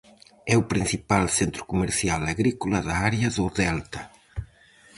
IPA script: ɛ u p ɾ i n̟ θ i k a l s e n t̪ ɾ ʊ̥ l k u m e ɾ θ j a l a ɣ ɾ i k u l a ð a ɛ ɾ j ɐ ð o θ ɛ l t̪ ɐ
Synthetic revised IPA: ɛ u p ɾ i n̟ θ i p a l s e n t̪ ɾ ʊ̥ k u m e ɾ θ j a l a ɣ ɾ i k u l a ð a a ɾ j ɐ ð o ð ɛ l t̪ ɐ